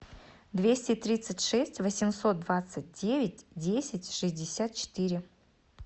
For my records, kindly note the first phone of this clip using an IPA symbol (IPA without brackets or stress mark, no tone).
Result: d̪